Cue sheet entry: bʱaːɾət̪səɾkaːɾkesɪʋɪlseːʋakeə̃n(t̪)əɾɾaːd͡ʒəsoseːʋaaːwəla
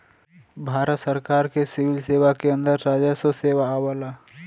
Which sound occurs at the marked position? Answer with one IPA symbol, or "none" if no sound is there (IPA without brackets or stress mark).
d̪